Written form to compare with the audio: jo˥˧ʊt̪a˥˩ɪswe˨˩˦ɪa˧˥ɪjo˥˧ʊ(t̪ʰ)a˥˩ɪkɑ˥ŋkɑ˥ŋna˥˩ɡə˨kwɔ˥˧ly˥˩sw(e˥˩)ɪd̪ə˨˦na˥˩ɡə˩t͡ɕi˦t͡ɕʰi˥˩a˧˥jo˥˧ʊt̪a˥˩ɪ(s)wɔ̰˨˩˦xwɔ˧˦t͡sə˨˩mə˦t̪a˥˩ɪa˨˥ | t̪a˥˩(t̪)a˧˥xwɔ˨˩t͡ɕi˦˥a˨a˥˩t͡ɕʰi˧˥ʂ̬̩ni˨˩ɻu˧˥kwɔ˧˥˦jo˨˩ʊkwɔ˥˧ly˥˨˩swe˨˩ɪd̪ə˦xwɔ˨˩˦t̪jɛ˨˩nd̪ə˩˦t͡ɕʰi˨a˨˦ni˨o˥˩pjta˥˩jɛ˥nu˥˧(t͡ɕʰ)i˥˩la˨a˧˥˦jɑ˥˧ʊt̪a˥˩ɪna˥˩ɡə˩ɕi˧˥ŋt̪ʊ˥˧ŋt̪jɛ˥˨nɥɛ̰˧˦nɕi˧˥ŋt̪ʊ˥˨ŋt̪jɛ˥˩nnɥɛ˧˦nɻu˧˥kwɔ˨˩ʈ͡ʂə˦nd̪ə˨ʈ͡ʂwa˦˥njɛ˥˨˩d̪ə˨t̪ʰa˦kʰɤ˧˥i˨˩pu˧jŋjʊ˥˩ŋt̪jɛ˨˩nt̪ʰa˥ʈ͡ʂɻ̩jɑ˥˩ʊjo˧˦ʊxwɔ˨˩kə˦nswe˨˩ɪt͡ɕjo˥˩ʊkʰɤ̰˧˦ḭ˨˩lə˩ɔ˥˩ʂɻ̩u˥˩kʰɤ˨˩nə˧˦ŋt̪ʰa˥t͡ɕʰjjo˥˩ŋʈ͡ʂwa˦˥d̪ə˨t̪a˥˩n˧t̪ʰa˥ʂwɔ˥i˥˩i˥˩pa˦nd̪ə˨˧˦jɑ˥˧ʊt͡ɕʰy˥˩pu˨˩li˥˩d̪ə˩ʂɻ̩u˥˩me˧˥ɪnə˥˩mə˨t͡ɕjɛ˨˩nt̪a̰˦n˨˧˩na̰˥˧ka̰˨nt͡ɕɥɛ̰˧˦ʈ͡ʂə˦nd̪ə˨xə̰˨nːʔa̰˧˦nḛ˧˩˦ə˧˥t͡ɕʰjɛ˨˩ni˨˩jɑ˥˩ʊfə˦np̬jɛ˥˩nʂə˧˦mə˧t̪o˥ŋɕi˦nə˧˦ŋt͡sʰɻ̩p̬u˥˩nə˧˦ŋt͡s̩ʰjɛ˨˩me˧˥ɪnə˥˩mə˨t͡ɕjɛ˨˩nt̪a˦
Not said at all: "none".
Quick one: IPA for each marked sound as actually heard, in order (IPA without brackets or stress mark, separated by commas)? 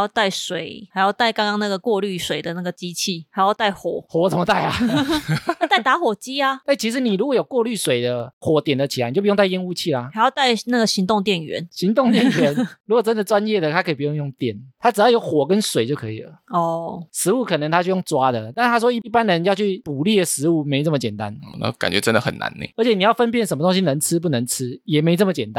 t̪, e˨˩, x, t̪, t͡ɕʰ